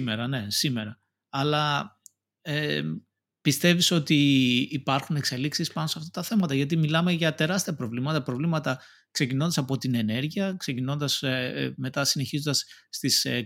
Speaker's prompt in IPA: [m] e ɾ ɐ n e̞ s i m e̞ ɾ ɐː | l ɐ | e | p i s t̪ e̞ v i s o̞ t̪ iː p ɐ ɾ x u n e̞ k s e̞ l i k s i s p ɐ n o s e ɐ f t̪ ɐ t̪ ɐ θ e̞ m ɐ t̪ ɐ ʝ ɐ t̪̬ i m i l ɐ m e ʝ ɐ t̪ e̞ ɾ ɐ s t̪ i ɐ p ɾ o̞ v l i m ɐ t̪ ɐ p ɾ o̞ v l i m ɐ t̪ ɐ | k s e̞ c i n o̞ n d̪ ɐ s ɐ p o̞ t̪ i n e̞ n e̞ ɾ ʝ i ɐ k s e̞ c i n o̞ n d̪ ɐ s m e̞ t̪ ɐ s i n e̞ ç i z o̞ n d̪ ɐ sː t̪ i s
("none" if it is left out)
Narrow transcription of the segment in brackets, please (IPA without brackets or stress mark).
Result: m